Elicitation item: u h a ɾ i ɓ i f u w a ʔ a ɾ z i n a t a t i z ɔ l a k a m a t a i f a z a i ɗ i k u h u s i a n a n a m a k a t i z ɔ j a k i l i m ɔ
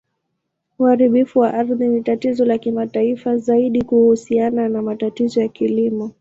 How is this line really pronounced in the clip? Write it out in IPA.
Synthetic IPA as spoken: u h a ɾ i ɓ i f u w a ʔ a ɾ ð i n i t a t i z ɔ l a k i m a t a i f a z a i ɗ i k u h u s i a n a n a m a t a t i z ɔ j a k i l i m ɔ